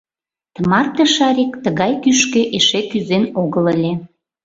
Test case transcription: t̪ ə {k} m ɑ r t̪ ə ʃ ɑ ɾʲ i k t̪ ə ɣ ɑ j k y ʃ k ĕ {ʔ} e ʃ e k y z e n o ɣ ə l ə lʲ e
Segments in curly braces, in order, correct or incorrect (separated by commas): incorrect, correct